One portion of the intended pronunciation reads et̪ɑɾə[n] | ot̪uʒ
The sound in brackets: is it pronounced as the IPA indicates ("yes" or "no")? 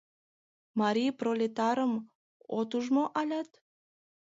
no